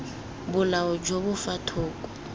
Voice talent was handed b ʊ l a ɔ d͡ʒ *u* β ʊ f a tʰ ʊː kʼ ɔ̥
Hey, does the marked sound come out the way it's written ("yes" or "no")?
no